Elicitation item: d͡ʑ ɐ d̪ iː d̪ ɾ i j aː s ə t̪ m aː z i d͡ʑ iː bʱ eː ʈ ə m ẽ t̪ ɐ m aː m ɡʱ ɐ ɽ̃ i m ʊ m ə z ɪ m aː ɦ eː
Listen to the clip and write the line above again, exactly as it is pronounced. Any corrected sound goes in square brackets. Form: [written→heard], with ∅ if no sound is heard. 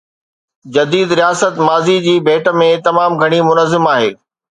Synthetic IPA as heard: d͡ʑ ɐ d̪ iː d̪ ɾ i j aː s ə t̪ m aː z i d͡ʑ iː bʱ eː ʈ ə m ẽ t̪ ɐ m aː m ɡʱ ɐ ɽ̃ i m ʊ [m→n] ə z ɪ m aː ɦ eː